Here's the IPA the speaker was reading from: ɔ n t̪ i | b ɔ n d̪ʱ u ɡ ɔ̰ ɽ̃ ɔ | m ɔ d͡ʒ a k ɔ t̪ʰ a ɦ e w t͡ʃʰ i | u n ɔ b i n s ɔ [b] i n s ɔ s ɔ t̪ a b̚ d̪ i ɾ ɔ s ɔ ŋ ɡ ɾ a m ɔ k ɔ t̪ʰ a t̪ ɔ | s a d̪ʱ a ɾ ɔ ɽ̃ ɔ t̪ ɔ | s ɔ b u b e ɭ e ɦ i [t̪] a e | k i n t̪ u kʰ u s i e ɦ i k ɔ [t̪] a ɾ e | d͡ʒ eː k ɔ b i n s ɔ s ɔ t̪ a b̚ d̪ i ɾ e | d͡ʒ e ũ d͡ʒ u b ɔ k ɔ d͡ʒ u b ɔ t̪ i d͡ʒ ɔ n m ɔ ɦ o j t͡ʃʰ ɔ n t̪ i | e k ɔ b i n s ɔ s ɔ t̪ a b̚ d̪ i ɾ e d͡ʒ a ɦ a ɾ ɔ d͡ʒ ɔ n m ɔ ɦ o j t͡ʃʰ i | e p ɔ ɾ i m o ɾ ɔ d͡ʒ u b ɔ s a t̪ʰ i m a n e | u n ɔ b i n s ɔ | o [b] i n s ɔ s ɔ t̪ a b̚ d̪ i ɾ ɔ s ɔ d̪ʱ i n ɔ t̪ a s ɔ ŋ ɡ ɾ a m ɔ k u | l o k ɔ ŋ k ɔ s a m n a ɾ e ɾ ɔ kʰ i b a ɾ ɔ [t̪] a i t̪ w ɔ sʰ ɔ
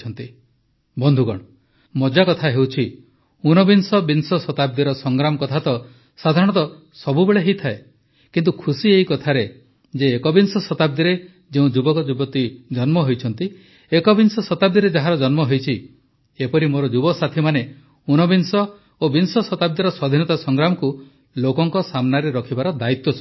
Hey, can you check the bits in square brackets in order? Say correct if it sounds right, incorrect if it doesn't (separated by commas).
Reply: correct, incorrect, incorrect, correct, incorrect